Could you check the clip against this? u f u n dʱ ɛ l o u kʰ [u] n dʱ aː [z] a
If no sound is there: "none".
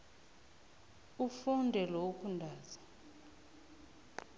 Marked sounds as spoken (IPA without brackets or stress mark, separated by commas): u, z